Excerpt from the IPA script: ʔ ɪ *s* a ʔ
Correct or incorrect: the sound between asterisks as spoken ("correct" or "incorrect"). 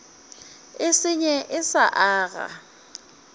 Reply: correct